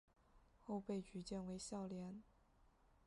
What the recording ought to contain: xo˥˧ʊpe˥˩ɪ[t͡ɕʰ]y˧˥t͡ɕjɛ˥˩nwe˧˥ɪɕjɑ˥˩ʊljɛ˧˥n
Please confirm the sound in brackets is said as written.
no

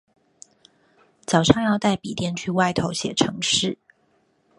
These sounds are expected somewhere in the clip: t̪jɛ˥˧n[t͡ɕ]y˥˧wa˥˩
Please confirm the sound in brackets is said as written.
no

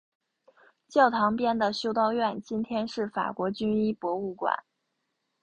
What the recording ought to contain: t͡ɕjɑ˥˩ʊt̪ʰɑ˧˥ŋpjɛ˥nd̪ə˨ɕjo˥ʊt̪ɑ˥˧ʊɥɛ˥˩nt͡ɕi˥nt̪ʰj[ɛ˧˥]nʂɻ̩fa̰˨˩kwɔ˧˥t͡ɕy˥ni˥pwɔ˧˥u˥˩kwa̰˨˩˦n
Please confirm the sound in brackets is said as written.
no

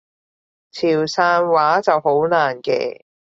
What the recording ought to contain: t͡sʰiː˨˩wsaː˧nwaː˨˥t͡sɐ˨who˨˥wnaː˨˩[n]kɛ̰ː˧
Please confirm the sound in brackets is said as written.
yes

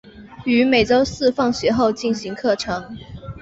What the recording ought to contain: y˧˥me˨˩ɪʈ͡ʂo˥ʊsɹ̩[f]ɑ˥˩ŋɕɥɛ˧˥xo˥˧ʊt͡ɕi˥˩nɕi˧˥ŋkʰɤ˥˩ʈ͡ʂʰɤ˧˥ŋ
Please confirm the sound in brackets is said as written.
yes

